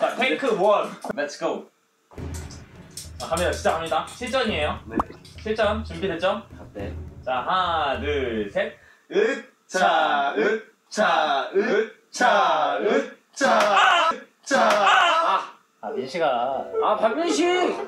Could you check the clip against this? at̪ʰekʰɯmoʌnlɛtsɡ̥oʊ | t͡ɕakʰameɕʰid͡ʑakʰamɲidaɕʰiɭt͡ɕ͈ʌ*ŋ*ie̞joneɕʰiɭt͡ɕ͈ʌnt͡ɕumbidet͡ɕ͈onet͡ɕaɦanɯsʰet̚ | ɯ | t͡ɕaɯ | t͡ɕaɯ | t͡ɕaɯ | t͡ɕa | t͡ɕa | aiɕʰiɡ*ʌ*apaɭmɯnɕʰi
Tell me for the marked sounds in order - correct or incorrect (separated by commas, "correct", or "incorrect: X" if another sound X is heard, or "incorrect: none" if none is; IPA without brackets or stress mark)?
incorrect: ɲ, incorrect: a